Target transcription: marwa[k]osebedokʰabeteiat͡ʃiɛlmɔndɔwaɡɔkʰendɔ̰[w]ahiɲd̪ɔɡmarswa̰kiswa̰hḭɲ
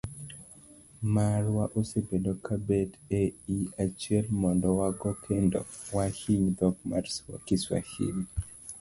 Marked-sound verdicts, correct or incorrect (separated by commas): incorrect, correct